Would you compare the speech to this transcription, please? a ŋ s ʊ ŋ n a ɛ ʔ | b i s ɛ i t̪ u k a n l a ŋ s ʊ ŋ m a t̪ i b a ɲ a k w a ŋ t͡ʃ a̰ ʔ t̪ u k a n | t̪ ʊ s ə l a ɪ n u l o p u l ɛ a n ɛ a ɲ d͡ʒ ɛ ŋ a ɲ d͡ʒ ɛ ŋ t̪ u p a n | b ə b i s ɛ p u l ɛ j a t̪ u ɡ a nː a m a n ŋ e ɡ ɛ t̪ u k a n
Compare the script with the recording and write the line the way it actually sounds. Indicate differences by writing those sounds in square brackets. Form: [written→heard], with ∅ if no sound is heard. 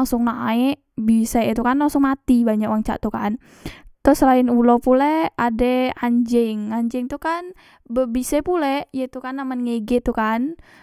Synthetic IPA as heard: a ŋ s ʊ ŋ n a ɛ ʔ | b i s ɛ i t̪ u k a n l a ŋ s ʊ ŋ m a t̪ i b a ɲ a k w a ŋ t͡ʃ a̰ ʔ t̪ u k a n | t̪ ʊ s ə l a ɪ n u l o p u l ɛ a [n→d] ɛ a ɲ d͡ʒ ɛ ŋ a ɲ d͡ʒ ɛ ŋ t̪ u [p→k] a n | b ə b i s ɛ p u l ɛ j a t̪ u [ɡ→k] a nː a m a n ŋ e ɡ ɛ t̪ u k a n